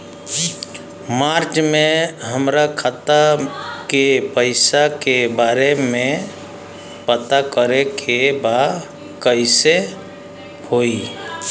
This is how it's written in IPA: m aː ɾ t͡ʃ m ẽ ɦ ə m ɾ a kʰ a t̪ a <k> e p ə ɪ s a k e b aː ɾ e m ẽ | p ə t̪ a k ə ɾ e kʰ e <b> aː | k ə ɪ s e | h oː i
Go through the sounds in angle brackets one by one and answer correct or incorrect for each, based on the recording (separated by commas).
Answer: correct, correct